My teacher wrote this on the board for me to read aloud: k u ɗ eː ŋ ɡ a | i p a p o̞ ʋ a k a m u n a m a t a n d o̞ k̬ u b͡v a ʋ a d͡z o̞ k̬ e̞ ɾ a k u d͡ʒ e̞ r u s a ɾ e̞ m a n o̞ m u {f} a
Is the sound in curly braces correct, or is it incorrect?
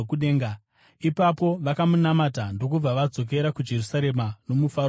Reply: correct